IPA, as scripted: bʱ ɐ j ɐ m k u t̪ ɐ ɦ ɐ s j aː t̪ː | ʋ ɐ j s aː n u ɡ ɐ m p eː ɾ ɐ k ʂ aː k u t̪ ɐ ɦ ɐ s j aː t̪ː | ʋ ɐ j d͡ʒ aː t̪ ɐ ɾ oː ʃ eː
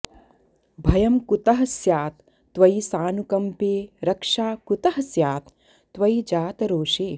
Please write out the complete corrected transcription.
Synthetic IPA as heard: bʱ ɐ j ɐ m k u t̪ ɐ ɦ ɐ s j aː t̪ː | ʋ ɐ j s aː n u k ɐ m p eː ɾ ɐ k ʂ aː k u t̪ ɐ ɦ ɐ s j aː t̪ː | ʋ ɐ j d͡ʒ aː t̪ ɐ ɾ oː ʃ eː